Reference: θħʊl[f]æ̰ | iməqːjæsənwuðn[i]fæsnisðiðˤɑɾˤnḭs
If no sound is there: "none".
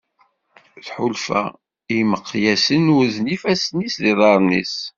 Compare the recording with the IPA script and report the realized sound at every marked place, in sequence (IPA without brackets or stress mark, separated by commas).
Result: f, i